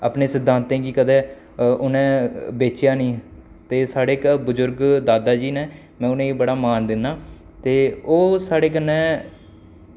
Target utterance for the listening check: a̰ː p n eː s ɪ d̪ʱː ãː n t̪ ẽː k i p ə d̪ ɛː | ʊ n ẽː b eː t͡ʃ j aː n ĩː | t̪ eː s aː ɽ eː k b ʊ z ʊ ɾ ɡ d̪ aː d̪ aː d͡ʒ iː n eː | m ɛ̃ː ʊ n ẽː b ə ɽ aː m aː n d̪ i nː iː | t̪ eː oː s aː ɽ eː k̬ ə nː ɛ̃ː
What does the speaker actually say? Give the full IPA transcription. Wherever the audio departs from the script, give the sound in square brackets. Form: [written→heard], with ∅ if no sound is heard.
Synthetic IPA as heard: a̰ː p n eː s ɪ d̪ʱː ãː n t̪ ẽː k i [p→k] ə d̪ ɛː | ʊ n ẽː b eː t͡ʃ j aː n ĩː | t̪ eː s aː ɽ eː k b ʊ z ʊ ɾ ɡ d̪ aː d̪ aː d͡ʒ iː n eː | m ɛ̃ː ʊ n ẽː b ə ɽ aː m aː n d̪ [i→ɪ] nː [iː→aː] | t̪ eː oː s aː ɽ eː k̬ ə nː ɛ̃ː